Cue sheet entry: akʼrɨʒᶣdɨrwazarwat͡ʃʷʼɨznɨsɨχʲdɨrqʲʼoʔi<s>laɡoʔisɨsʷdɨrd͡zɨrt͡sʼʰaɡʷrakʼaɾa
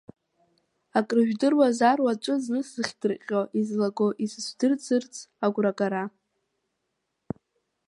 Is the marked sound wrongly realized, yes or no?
yes